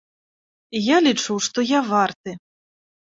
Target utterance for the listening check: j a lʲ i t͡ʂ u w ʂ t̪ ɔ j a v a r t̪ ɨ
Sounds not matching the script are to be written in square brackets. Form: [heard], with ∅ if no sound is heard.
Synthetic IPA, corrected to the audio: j a lʲ i t͡ʂ u w ʂ t̪ ɔ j a v a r t̪ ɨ